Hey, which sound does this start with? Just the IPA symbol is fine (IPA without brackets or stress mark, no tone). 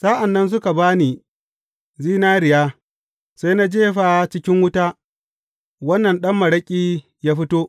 s